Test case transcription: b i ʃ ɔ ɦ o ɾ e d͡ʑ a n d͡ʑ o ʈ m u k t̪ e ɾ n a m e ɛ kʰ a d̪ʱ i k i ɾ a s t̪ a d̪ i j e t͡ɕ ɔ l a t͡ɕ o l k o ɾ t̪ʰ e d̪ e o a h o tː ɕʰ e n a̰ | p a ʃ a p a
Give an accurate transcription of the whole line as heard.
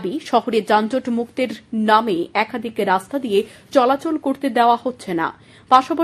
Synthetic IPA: b i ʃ ɔ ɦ o ɾ e d͡ʑ a n d͡ʑ o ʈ m u k t̪ e ɾ n a m e ɛ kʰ a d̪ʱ i k e ɾ a s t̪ a d̪ i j e t͡ɕ ɔ l a t͡ɕ o l k o ɾ t̪ e d̪ e o a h o tː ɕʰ e n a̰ | p a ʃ a p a